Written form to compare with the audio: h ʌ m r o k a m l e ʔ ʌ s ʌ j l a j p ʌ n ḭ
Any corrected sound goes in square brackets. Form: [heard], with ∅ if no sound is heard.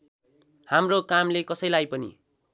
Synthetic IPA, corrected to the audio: h [a] m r o k a m l e [k] ʌ s ʌ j l a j p ʌ n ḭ